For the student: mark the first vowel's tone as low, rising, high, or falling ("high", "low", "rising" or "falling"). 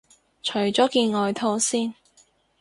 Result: low